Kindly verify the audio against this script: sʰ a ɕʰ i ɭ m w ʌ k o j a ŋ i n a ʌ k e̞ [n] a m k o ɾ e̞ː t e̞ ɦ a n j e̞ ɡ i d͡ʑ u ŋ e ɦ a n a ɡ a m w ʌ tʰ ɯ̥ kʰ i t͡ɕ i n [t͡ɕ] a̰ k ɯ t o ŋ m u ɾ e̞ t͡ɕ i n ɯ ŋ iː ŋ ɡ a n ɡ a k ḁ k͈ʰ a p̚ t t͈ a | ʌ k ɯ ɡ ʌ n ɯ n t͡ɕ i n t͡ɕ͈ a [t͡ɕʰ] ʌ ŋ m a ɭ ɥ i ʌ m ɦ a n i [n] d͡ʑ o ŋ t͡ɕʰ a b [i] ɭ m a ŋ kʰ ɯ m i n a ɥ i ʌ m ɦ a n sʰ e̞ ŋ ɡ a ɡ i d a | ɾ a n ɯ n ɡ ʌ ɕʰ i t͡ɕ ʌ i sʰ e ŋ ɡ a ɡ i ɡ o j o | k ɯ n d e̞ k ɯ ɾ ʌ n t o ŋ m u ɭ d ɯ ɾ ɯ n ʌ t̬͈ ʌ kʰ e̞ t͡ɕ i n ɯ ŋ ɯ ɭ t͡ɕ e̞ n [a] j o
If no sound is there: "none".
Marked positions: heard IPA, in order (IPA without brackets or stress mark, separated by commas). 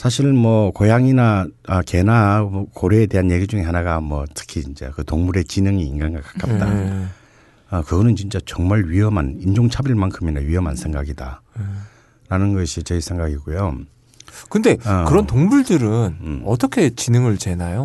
n, t͡ɕ, t͡ɕ, n, i, a